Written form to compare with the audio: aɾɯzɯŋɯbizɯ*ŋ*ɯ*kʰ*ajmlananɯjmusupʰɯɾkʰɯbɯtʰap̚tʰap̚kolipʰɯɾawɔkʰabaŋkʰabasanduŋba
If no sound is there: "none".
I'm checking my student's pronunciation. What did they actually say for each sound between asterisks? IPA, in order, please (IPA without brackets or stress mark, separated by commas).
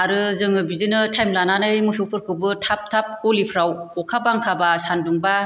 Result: n, tʰ